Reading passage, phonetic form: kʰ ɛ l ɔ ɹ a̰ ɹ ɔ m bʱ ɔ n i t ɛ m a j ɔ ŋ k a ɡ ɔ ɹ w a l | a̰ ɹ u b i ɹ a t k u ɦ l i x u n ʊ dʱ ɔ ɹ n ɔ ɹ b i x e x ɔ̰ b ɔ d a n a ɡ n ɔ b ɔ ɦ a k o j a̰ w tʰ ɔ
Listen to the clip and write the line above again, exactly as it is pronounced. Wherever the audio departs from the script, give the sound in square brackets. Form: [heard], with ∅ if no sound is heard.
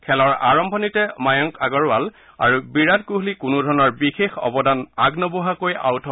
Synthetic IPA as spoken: kʰ ɛ l ɔ ɹ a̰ ɹ ɔ m bʱ ɔ n i t ɛ m a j ɔ ŋ k a ɡ ɔ ɹ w a l | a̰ ɹ u b i ɹ a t k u ɦ l i [k] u n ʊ dʱ ɔ ɹ n ɔ ɹ b i x e x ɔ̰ b ɔ d a n a ɡ n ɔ b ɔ ɦ a k o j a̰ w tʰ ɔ